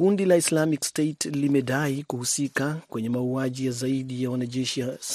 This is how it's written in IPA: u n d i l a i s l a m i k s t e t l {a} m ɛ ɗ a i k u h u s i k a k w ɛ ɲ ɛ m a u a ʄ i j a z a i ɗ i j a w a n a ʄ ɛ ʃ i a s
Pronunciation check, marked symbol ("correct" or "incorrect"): incorrect